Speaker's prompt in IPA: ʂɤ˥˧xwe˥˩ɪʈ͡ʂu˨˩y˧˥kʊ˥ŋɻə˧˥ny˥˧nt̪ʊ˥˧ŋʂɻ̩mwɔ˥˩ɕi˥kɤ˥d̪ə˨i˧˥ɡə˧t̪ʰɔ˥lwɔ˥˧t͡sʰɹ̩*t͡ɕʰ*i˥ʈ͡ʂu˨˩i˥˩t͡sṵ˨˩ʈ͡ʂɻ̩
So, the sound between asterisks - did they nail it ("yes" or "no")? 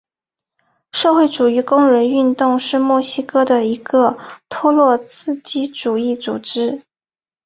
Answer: no